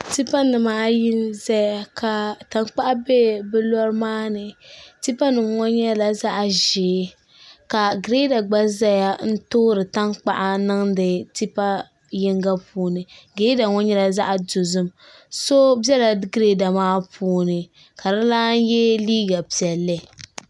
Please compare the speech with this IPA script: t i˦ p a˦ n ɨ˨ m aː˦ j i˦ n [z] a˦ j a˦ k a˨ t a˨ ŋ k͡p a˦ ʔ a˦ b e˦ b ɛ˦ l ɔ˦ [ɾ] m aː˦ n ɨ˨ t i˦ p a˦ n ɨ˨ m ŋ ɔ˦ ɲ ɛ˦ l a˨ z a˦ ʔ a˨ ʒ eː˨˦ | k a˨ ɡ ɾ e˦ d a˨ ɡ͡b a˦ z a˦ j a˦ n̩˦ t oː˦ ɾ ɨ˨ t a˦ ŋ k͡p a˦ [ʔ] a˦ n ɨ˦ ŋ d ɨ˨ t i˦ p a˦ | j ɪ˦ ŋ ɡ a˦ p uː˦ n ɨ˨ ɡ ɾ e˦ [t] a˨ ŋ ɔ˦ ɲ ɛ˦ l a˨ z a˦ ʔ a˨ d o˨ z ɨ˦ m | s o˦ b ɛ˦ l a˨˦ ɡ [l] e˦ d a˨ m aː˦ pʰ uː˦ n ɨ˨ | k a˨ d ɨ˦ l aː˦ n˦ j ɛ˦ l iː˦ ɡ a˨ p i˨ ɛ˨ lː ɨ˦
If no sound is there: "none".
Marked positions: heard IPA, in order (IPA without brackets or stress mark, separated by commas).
z, ɾ, ʔ, d, ɾ